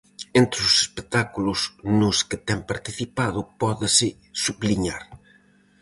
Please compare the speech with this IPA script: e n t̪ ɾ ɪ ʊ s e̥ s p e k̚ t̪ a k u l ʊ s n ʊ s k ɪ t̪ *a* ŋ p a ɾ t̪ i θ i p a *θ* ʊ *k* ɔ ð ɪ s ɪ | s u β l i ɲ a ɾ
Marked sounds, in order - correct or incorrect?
incorrect: ɛ, incorrect: ð, incorrect: p

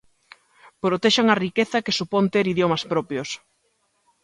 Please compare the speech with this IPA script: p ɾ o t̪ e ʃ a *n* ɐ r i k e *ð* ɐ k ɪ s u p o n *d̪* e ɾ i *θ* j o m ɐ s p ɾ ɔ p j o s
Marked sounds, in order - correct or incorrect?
incorrect: ŋ, incorrect: θ, incorrect: t̪, incorrect: ð

